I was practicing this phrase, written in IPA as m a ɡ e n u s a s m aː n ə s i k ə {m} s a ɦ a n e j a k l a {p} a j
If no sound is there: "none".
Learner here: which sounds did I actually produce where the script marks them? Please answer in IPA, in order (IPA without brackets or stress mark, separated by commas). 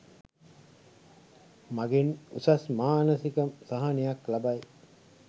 m, b